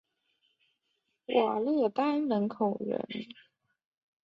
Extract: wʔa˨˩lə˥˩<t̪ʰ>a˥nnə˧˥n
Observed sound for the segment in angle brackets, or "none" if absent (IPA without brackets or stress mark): t̪